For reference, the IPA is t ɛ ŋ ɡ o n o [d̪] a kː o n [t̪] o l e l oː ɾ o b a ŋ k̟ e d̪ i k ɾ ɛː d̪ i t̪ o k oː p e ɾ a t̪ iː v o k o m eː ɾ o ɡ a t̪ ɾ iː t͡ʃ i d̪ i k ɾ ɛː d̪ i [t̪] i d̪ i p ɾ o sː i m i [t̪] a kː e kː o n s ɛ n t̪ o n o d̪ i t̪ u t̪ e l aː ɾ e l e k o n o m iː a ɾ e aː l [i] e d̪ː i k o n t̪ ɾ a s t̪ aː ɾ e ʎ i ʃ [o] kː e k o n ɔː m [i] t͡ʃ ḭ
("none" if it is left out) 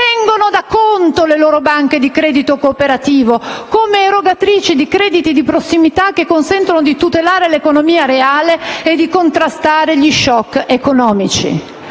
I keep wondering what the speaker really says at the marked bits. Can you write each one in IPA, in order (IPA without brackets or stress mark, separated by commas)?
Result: d̪, t̪, t̪, t̪, e, ɔ, i